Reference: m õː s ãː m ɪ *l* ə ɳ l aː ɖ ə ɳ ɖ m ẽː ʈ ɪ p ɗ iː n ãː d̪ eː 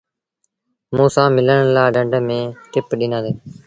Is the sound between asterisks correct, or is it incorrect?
correct